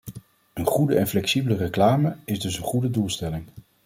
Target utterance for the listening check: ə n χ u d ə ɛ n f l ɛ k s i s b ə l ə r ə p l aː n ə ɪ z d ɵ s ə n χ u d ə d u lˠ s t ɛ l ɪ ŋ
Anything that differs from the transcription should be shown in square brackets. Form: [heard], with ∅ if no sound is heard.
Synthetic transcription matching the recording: ə n χ u d ə ɛ n f l ɛ k s i [∅] b ə l ə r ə [k] l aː [m] ə ɪ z d ɵ s ə n χ u d ə d u lˠ s t ɛ l ɪ ŋ